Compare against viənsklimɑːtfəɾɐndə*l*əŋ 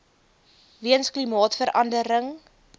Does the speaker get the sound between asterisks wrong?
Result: yes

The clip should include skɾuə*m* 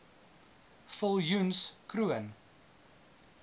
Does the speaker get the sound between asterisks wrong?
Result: yes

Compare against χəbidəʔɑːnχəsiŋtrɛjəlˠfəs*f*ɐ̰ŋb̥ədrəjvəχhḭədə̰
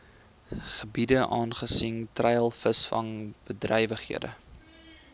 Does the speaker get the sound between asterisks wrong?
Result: no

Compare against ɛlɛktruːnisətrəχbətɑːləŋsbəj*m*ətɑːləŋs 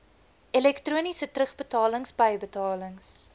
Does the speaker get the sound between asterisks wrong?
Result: yes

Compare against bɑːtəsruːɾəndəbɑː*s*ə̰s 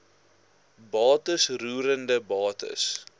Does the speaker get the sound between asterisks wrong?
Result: yes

